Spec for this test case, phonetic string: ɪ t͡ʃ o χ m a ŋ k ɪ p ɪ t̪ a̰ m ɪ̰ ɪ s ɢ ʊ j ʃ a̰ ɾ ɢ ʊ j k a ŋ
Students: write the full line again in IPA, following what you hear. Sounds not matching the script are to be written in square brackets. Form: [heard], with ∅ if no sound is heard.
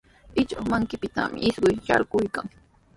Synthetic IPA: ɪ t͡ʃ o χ m a ŋ k ɪ p ɪ t̪ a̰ m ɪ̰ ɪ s ɢ ʊ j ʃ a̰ ɾ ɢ ʊ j k a ŋ